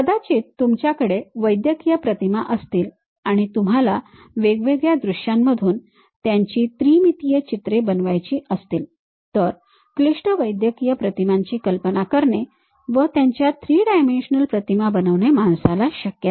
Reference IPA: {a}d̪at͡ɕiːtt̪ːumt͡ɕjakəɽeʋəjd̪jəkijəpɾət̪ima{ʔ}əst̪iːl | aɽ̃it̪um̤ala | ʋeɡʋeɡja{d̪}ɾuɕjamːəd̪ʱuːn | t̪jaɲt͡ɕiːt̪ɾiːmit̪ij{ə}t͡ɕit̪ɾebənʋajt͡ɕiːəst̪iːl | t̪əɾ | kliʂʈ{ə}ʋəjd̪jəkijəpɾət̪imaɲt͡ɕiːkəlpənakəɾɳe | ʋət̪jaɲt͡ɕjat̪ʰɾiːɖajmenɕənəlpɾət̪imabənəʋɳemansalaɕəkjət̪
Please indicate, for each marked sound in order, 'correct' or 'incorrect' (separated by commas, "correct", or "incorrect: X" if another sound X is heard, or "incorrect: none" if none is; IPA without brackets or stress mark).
incorrect: ə, correct, correct, correct, correct